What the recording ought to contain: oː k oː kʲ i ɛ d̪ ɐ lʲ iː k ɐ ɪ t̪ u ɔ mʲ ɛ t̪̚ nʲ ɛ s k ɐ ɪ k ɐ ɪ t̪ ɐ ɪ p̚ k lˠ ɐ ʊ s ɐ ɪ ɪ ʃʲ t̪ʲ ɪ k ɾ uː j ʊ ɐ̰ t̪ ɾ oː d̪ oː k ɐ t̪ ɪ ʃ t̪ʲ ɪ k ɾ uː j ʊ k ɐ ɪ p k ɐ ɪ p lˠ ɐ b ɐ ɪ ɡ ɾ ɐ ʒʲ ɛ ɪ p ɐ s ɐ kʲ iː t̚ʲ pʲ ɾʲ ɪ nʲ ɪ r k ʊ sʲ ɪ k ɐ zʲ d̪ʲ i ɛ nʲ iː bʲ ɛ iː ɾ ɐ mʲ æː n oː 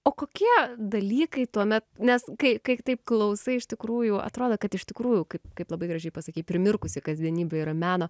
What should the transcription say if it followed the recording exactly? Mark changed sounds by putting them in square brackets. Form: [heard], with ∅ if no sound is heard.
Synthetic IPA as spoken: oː k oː kʲ i ɛ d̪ ɐ lʲ iː k ɐ ɪ t̪ u ɔ mʲ ɛ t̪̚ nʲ ɛ s k ɐ ɪ k ɐ ɪ t̪ ɐ ɪ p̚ k lˠ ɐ ʊ s ɐ ɪ ɪ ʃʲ t̪ʲ ɪ k ɾ uː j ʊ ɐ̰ t̪ ɾ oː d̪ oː k ɐ t̪ ɪ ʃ t̪ʲ ɪ k ɾ uː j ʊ k ɐ ɪ p k ɐ ɪ p lˠ ɐ b ɐ ɪ ɡ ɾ ɐ ʒʲ ɛ ɪ p ɐ s ɐ kʲ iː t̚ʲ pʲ ɾʲ ɪ [mʲ] ɪ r k ʊ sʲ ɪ k ɐ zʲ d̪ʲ i ɛ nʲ iː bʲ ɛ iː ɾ ɐ mʲ æː n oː